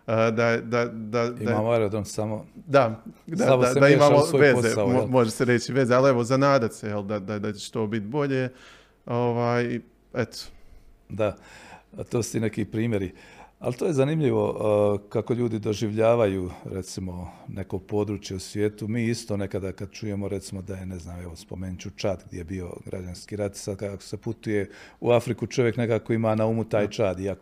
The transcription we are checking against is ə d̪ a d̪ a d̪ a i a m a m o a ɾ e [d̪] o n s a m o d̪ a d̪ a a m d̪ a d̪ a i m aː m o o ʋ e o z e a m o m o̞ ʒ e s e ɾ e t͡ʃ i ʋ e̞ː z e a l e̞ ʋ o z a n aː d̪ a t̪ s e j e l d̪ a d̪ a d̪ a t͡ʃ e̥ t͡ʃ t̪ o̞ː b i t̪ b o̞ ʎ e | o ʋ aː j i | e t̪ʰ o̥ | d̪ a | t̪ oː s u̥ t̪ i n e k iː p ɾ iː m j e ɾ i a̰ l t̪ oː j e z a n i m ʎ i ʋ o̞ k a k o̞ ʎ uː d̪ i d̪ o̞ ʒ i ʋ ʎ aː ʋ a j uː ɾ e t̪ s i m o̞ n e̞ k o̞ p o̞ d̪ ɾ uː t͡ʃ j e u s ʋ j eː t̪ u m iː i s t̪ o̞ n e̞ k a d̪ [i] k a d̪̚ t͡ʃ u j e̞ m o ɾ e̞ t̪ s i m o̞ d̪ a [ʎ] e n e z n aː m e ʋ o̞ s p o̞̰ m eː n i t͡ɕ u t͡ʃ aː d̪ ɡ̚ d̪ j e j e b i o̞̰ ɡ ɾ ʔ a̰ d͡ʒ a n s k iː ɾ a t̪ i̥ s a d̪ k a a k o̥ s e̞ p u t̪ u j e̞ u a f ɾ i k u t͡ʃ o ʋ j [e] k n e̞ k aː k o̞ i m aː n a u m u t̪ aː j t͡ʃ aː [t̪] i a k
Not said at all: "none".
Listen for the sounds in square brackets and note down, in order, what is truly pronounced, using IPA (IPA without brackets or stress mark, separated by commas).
d̪, a, j, e, d̪